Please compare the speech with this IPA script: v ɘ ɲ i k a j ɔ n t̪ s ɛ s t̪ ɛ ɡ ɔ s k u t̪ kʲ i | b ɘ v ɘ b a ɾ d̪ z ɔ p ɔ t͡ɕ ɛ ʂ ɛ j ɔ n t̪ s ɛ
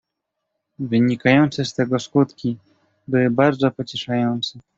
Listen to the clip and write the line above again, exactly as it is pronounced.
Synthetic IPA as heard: v ɘ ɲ i k a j ɔ n t̪ s ɛ s t̪ ɛ ɡ ɔ s k u t̪ kʲ i | b ɘ w ɘ b a ɾ d̪ z ɔ p ɔ t͡ɕ ɛ ʂ a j ɔ n t̪ s ɛ